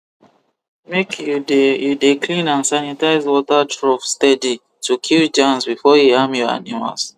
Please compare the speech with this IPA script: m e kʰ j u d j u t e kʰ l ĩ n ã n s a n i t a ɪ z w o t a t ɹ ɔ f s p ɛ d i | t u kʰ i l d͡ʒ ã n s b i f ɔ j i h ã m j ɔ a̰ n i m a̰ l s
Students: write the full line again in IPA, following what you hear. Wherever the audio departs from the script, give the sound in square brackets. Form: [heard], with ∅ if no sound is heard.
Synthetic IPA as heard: m e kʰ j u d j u [d] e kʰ l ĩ n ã n s a n i t a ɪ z w [ɔ] t a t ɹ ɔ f s [t] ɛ d i | t u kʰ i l d͡ʒ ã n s b i f ɔ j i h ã m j ɔ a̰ n i m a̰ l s